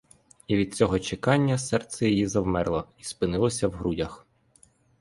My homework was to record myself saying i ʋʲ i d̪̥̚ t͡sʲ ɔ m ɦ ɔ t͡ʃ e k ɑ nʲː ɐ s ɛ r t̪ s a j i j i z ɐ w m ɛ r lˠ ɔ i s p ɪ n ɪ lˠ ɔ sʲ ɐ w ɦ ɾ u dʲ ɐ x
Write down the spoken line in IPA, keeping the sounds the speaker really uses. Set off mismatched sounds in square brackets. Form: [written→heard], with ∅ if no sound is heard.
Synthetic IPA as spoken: i ʋʲ i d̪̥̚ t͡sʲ ɔ [m→∅] ɦ ɔ t͡ʃ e k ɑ nʲː ɐ s ɛ r t̪ s [a→ɛ] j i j i z ɐ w m ɛ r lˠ ɔ i s p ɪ n ɪ lˠ ɔ sʲ ɐ w ɦ ɾ u dʲ ɐ x